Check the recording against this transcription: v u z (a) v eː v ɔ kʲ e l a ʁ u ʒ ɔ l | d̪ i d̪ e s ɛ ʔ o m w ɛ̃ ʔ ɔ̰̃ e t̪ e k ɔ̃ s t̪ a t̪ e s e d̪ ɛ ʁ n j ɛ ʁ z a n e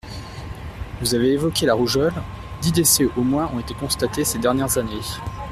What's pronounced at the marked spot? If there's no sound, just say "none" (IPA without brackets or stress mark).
a